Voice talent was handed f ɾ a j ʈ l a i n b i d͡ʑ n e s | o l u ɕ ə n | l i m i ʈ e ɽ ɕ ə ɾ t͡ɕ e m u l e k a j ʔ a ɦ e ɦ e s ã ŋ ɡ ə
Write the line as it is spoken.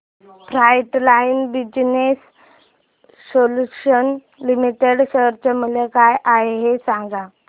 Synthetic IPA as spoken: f ɾ a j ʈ l a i n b i d͡ʑ n e s | o l u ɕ ə n | l i m i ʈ e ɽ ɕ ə ɾ t͡ɕ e m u l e k a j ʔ a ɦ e ɦ e s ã ŋ ɡ a